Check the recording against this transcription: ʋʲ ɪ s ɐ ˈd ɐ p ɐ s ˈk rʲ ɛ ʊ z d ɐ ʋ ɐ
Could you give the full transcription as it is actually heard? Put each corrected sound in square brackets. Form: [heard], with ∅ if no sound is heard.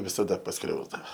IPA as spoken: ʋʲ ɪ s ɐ ˈd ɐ p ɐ s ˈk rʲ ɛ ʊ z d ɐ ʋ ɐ